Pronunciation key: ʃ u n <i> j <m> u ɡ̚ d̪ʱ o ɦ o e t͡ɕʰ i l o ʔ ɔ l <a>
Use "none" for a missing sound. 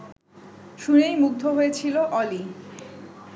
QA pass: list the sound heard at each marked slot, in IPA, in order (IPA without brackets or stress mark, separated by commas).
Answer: e, m, i